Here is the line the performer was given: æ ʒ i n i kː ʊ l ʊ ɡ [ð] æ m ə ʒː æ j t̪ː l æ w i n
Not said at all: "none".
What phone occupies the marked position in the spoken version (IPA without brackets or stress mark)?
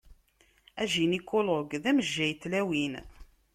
ð